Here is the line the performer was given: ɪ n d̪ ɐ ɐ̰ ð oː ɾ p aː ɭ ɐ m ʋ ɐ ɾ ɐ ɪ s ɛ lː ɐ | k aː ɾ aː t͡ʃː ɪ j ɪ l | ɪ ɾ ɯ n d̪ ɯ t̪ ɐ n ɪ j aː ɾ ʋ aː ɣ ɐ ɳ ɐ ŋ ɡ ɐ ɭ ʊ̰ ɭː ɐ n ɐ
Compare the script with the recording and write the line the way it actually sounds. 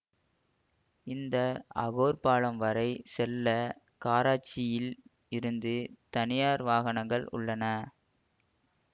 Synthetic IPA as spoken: ɪ n d̪ ɐ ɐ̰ ɣ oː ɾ p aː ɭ ɐ m ʋ ɐ ɾ ɐ ɪ s ɛ lː ɐ | k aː ɾ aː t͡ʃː ɪ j ɪ l | ɪ ɾ ɯ n d̪ ɯ t̪ ɐ n ɪ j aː ɾ ʋ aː ɣ ɐ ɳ ɐ ŋ ɡ ɐ ɭ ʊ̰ ɭː ɐ n ɐ

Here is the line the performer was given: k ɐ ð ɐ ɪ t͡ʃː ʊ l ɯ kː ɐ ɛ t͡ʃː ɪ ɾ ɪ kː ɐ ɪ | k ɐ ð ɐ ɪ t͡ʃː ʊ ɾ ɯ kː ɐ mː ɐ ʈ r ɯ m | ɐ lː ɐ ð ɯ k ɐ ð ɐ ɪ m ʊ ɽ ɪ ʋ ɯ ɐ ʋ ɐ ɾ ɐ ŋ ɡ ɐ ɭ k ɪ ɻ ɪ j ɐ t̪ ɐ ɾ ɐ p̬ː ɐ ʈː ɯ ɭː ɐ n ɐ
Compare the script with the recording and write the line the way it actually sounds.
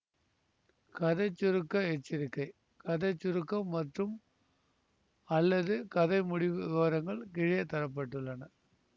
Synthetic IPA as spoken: k ɐ ð ɐ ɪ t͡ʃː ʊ ɾ ɯ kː ɐ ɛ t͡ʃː ɪ ɾ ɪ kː ɐ ɪ | k ɐ ð ɐ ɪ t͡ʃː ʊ ɾ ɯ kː ɐ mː ɐ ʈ r ɯ m | ɐ lː ɐ ð ɯ k ɐ ð ɐ ɪ m ʊ ɽ ɪ ʋ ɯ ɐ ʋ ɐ ɾ ɐ ŋ ɡ ɐ ɭ k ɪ ɻ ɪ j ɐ t̪ ɐ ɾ ɐ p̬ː ɐ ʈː ɯ ɭː ɐ n ɐ

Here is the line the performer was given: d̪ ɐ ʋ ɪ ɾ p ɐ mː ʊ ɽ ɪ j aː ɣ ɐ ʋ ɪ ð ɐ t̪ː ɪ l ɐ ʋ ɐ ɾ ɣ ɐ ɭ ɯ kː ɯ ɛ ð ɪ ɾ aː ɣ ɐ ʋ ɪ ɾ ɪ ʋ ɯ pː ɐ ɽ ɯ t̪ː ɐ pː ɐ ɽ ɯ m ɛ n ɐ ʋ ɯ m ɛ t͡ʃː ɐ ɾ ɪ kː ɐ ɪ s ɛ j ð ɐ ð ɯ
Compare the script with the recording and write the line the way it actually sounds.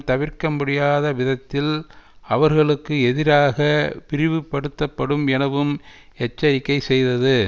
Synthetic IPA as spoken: t̪ ɐ ʋ ɪ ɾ k ɐ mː ʊ ɽ ɪ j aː ð ɐ ʋ ɪ ð ɐ t̪ː ɪ l ɐ ʋ ɐ ɾ ɣ ɐ ɭ ɯ kː ɯ ɛ ð ɪ ɾ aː ɣ ɐ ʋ ɪ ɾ ɪ ʋ ɯ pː ɐ ɽ ɯ t̪ː ɐ pː ɐ ɽ ɯ m ɛ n ɐ ʋ ɯ m ɛ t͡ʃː ɐ ɾ ɪ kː ɐ ɪ s ɛ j ð ɐ ð ɯ

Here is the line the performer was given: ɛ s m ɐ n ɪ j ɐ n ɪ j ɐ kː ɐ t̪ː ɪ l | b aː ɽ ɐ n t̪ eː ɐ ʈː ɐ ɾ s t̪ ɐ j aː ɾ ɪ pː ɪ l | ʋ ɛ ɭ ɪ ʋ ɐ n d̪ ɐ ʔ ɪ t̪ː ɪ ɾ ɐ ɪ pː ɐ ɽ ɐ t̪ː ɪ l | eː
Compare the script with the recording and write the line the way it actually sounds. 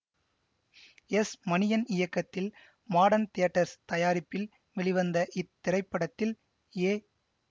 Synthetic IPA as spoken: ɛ s m ɐ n ɪ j ɐ n ɪ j ɐ kː ɐ t̪ː ɪ l | m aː ɽ ɐ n t̪ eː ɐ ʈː ɐ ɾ s t̪ ɐ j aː ɾ ɪ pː ɪ l | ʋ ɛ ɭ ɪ ʋ ɐ n d̪ ɐ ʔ ɪ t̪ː ɪ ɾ ɐ ɪ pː ɐ ɽ ɐ t̪ː ɪ l | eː

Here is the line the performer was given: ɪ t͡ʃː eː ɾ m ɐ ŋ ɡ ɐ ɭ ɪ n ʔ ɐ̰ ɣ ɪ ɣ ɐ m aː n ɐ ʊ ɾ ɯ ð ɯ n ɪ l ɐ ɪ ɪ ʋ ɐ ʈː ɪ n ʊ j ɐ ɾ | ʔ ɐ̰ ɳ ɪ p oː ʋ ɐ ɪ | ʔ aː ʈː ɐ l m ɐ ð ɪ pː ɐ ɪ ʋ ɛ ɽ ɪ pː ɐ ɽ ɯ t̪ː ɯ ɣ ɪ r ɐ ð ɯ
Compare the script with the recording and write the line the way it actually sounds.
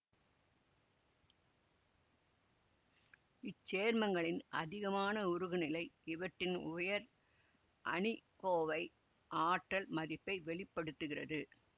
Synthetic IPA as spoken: ɪ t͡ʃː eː ɾ m ɐ ŋ ɡ ɐ ɭ ɪ n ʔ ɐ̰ ð ɪ ɣ ɐ m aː n ɐ ʊ ɾ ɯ ɣ ɯ n ɪ l ɐ ɪ ɪ ʋ ɐ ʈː ɪ n ʊ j ɐ ɾ | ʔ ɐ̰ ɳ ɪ k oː ʋ ɐ ɪ | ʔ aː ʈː ɐ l m ɐ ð ɪ pː ɐ ɪ ʋ ɛ ɭ ɪ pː ɐ ɽ ɯ t̪ː ɯ ɣ ɪ r ɐ ð ɯ

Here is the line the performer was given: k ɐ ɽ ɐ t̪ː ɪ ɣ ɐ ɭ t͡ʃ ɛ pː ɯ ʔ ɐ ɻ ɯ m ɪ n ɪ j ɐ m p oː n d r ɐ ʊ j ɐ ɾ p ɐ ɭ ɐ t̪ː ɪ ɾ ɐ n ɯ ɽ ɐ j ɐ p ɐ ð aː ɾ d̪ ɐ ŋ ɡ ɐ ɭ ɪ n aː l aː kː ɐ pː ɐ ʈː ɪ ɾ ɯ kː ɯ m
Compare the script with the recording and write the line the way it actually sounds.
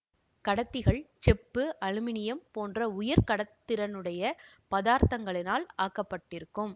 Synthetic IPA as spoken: k ɐ ɽ ɐ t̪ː ɪ ɣ ɐ ɭ t͡ʃ ɛ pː ɯ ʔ ɐ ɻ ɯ m ɪ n ɪ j ɐ m p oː n d r ɐ ʊ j ɐ ɾ k ɐ ɽ ɐ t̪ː ɪ ɾ ɐ n ɯ ɽ ɐ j ɐ p ɐ ð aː ɾ t̪ ɐ ŋ ɡ ɐ ɭ ɪ n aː l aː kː ɐ pː ɐ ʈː ɪ ɾ ɯ kː ɯ m

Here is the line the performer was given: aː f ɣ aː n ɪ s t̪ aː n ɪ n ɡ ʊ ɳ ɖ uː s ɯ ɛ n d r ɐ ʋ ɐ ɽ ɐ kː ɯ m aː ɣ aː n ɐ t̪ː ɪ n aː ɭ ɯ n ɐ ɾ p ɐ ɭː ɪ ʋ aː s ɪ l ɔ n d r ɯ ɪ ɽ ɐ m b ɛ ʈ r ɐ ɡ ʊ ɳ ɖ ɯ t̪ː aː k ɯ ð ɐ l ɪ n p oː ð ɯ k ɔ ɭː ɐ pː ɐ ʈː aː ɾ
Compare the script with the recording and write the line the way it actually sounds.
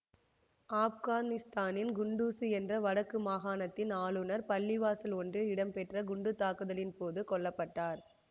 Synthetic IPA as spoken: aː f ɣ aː n ɪ s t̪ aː n ɪ n ɡ ʊ ɳ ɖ uː s ɯ ɛ n d r ɐ ʋ ɐ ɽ ɐ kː ɯ m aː ɣ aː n ɐ t̪ː ɪ n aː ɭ ɯ n ɐ ɾ p ɐ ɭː ɪ ʋ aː s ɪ l ɔ n d r ɯ ɪ ɽ ɐ m p ɛ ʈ r ɐ ɡ ʊ ɳ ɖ ɯ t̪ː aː k ɯ ð ɐ l ɪ n p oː ð ɯ k ɔ ɭː ɐ pː ɐ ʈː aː ɾ

